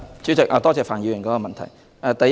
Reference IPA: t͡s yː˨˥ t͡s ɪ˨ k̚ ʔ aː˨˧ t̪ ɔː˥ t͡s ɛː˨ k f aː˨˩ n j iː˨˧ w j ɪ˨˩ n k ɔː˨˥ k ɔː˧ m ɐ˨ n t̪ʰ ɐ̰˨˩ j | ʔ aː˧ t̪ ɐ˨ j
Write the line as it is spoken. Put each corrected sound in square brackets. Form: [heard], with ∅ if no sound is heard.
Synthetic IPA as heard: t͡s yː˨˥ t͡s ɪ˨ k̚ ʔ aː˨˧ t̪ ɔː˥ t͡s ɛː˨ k f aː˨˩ n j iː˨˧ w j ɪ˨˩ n k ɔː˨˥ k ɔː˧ m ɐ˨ n t̪ʰ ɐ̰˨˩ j | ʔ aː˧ t̪ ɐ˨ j